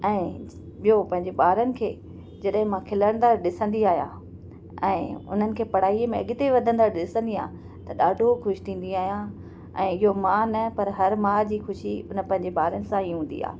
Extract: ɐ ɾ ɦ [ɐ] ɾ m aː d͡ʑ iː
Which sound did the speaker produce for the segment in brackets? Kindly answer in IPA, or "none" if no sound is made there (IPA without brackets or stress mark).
ɐ